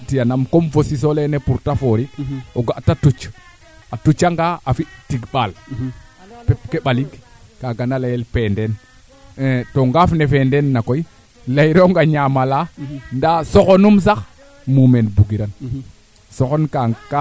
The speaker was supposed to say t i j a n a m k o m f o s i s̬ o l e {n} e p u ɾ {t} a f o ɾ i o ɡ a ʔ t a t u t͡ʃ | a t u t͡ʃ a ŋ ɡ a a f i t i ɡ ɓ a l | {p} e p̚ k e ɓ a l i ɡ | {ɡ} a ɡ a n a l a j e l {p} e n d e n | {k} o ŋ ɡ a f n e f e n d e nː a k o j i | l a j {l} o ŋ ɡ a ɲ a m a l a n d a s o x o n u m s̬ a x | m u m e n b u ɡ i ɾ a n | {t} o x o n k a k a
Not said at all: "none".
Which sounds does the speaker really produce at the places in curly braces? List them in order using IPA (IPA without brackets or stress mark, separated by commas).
n, t, p, k, p, t, ɾ, s